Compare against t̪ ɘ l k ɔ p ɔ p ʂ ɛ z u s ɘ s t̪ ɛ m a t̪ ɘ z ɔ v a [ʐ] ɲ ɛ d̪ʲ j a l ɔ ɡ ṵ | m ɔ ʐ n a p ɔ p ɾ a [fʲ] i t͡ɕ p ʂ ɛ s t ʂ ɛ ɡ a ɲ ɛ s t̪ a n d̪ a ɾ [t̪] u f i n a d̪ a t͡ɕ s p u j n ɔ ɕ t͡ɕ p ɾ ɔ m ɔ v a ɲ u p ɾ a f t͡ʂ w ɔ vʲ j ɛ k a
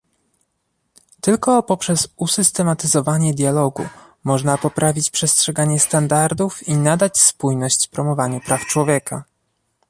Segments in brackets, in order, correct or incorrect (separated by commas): incorrect, incorrect, incorrect